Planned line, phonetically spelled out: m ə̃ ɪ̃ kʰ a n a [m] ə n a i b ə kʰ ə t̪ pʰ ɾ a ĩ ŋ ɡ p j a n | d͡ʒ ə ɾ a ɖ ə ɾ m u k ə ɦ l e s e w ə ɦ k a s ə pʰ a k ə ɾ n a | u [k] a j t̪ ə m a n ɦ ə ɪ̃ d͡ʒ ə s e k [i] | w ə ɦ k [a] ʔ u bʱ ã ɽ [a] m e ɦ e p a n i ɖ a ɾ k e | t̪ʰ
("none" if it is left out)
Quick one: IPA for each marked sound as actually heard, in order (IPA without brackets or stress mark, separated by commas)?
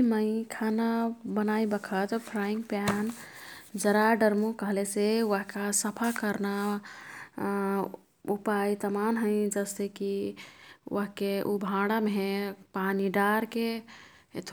b, p, i, e, a